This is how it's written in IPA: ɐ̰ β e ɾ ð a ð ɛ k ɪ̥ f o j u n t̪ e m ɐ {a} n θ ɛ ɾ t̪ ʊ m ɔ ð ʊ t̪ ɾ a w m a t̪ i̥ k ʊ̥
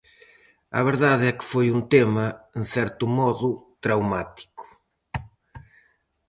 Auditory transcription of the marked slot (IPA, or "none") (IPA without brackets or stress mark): e